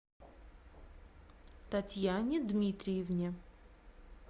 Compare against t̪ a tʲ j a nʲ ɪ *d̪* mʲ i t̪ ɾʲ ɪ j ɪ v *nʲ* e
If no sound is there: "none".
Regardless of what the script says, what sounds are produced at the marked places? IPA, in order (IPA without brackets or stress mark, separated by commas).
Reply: d̪, nʲ